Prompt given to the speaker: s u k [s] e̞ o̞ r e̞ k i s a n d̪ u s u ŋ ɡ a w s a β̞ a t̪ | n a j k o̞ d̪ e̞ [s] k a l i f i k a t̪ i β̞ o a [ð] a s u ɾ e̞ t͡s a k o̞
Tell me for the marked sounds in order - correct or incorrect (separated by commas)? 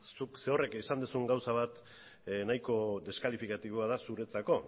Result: correct, correct, correct